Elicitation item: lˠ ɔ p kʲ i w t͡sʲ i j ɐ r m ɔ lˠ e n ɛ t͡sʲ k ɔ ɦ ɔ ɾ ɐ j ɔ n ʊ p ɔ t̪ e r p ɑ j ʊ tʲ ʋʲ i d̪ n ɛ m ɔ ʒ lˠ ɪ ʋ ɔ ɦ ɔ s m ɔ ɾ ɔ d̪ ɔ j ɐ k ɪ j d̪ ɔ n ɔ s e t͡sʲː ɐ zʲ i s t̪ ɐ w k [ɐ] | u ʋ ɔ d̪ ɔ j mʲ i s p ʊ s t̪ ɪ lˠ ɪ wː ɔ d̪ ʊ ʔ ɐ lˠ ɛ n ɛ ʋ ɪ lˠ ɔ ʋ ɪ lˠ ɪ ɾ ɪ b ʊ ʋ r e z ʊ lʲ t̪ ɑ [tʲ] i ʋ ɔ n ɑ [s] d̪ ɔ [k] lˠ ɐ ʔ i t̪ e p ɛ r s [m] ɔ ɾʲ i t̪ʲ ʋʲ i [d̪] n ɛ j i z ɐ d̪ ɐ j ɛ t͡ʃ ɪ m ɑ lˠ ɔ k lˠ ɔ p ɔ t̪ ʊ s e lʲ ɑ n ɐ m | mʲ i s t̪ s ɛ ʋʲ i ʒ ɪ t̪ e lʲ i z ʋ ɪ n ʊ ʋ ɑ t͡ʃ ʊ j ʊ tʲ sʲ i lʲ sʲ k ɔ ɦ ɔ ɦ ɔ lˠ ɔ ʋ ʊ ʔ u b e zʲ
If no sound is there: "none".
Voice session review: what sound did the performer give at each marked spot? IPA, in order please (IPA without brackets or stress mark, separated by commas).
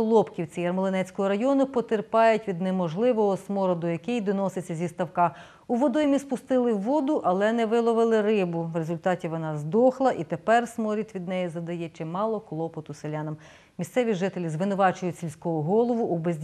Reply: ɑ, tʲ, z, x, m, d̪